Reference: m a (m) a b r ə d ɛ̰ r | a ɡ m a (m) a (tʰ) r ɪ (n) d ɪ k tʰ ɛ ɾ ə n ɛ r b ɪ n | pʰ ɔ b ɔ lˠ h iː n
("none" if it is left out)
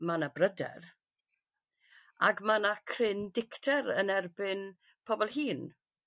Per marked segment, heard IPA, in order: n, n, kʰ, n

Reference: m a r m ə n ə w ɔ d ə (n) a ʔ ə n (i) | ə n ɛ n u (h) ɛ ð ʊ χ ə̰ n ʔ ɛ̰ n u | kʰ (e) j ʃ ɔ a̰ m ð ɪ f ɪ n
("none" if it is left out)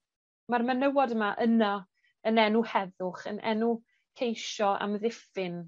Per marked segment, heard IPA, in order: m, a, h, e

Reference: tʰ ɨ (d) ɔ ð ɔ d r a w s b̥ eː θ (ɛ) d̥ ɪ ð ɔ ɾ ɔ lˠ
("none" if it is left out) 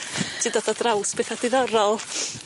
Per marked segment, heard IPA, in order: d, a

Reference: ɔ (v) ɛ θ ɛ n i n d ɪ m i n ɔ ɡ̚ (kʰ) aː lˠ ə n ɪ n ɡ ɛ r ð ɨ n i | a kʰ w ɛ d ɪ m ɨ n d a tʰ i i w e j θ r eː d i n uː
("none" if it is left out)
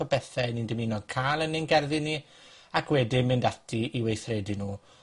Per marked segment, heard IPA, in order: b, kʰ

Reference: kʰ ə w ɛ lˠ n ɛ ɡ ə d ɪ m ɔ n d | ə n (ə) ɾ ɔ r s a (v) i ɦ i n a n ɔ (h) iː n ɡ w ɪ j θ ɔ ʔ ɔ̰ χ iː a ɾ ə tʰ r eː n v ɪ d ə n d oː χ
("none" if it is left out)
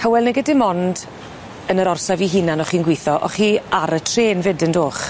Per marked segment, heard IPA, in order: ə, v, χ

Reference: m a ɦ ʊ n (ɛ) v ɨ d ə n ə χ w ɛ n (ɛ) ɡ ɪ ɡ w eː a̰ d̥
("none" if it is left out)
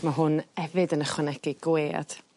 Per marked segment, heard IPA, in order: ɛ, ɛ

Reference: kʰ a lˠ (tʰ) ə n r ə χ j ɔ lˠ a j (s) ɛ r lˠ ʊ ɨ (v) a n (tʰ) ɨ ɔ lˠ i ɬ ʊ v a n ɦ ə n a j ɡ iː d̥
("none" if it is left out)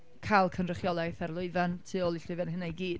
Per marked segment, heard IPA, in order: kʰ, θ, v, tʰ

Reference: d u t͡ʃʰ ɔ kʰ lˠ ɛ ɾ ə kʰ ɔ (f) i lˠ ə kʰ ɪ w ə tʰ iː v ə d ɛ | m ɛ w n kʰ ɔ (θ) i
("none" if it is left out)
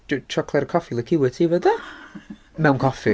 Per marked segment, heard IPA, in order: f, f

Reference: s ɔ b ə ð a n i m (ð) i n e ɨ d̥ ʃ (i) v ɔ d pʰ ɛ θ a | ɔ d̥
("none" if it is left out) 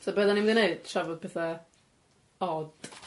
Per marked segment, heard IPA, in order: ð, a

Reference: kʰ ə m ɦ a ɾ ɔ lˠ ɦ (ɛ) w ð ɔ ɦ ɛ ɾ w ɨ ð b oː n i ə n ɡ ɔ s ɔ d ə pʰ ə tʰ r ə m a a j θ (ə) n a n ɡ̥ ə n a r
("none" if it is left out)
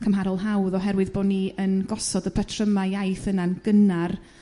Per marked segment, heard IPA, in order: a, ə

